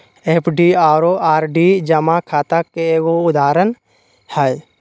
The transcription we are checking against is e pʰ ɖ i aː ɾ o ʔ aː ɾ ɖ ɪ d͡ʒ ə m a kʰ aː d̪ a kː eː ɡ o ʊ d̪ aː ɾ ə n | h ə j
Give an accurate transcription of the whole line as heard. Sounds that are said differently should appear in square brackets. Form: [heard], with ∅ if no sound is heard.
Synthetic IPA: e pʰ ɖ i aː ɾ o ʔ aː ɾ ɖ [i] d͡ʒ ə m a kʰ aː [t̪] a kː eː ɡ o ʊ d̪ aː ɾ ə n | h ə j